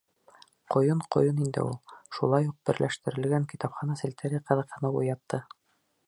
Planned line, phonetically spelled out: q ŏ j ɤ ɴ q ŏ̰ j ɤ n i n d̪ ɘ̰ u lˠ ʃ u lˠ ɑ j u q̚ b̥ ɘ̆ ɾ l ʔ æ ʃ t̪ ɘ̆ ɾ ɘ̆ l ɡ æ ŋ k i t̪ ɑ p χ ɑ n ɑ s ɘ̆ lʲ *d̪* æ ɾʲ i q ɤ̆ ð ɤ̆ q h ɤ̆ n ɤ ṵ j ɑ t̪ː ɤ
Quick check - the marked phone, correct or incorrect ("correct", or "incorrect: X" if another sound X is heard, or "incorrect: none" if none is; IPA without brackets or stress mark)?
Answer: incorrect: t̪